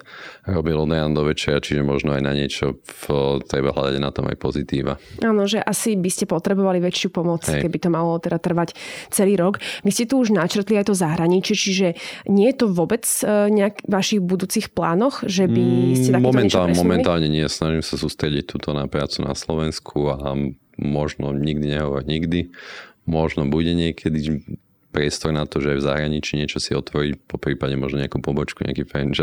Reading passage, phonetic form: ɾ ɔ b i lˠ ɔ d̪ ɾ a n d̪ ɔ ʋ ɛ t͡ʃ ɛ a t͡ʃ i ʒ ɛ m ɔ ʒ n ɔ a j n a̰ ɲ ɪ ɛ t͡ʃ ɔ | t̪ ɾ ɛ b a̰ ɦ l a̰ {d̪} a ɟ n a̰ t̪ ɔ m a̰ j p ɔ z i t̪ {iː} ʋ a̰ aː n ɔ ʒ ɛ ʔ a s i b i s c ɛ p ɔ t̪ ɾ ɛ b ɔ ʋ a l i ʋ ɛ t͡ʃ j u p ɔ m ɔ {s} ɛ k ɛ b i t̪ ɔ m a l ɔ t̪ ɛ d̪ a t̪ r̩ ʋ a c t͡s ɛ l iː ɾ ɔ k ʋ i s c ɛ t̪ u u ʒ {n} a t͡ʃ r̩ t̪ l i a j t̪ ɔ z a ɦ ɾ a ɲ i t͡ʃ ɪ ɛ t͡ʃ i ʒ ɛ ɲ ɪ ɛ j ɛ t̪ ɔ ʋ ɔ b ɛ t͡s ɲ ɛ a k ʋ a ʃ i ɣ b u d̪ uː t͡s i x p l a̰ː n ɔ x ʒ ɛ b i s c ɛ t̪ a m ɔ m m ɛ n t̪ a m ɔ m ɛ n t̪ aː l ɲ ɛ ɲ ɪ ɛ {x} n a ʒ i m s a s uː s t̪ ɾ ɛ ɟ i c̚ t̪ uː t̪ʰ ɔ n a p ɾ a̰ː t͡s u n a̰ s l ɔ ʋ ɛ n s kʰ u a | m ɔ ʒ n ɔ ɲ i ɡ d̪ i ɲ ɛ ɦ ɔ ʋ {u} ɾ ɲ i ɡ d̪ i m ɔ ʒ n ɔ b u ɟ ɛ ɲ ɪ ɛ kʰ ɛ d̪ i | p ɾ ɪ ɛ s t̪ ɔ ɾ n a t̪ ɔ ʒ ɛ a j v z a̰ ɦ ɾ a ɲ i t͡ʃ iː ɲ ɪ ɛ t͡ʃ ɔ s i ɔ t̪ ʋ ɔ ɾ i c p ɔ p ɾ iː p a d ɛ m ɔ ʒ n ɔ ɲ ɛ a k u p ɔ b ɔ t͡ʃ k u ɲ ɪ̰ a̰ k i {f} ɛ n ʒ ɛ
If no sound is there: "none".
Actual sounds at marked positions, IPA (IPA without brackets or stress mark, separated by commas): d̪, iː, t͡s, n, s, ɔ, f